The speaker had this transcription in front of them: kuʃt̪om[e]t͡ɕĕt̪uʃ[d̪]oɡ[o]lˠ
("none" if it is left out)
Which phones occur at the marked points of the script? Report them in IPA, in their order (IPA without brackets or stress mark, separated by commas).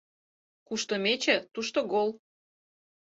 e, t̪, o